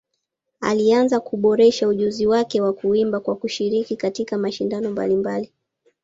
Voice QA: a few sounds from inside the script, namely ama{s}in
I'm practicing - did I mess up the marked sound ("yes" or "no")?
yes